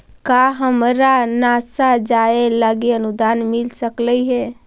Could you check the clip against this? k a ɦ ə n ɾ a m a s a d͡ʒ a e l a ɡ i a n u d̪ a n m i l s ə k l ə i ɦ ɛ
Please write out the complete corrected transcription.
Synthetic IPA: k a ɦ ə m ɾ a n a s a d͡ʒ a e l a ɡ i ə n u d̪ a n m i l s ə k l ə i ɦ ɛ